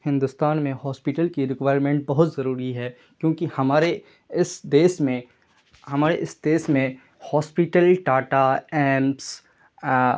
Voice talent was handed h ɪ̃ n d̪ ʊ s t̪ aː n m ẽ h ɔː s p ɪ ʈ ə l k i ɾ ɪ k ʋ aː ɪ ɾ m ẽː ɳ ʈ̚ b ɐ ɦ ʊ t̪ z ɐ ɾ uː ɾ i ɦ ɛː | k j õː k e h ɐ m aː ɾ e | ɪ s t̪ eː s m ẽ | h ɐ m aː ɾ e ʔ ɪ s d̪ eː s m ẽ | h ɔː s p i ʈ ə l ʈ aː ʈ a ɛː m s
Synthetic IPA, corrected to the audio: h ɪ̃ n d̪ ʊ s t̪ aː n m ẽ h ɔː s p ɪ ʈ ə l k i ɾ ɪ k ʋ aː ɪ ɾ m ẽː ɳ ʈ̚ b ɐ ɦ ʊ t̪ z ɐ ɾ uː ɾ i ɦ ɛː | k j õː k i h ɐ m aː ɾ e | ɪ s d̪ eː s m ẽ | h ɐ m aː ɾ e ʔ ɪ s d̪ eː s m ẽ | h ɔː s p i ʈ ə l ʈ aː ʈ a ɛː m s